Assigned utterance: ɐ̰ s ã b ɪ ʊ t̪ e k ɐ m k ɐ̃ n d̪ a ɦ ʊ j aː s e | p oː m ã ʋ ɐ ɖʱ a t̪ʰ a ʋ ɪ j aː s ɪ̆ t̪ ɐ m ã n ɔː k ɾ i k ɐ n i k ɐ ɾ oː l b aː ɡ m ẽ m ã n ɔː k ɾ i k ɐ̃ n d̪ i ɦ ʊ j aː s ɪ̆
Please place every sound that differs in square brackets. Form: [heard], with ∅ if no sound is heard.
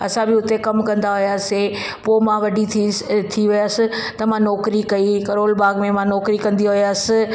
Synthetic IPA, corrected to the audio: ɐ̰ s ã b ɪ ʊ t̪ e k ɐ m k ɐ̃ n d̪ a ɦ ʊ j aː s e | p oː m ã ʋ ɐ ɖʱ [i] t̪ʰ [i] ʋ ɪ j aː s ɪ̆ t̪ ɐ m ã n ɔː k ɾ i k ɐ [∅] i k ɐ ɾ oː l b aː ɡ m ẽ m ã n ɔː k ɾ i k ɐ̃ n d̪ i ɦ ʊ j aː s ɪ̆